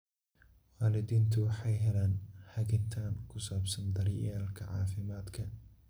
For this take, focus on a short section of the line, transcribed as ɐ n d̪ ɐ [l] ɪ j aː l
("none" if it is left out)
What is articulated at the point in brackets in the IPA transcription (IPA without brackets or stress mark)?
ɾ